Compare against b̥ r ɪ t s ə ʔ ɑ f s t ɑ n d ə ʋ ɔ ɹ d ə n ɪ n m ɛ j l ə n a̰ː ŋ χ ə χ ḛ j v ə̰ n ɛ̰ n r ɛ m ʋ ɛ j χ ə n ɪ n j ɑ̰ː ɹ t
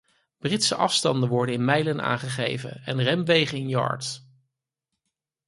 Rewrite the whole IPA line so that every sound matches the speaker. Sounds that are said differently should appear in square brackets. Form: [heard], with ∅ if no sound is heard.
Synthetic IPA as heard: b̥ r ɪ t s ə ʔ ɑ f s t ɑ n d ə ʋ ɔ ɹ d ə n ɪ n m ɛ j l ə n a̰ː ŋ χ ə χ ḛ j v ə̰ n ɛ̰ n r ɛ m ʋ [e] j χ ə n ɪ n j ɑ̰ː ɹ t